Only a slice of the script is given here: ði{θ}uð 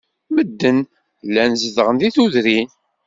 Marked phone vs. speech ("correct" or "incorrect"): correct